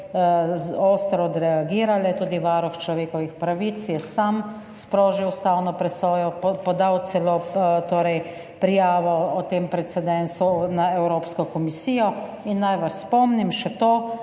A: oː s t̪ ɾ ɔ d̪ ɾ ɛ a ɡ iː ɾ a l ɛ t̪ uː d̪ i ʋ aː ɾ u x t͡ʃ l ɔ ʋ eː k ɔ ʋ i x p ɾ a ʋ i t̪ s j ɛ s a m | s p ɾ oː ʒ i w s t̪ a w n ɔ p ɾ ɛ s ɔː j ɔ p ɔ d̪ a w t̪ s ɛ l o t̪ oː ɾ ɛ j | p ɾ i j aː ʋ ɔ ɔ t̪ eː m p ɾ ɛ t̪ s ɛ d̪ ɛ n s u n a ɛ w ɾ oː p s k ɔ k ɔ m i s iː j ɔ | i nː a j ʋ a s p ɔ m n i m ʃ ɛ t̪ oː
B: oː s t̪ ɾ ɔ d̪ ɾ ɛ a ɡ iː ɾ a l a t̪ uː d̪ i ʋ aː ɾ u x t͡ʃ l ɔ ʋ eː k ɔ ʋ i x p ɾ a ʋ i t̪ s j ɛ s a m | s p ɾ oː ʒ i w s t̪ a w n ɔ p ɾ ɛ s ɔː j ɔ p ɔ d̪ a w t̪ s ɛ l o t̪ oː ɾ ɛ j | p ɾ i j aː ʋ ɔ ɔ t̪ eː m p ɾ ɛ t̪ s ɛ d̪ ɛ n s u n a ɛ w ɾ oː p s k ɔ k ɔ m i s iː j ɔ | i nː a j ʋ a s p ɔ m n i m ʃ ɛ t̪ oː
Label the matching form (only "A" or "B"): A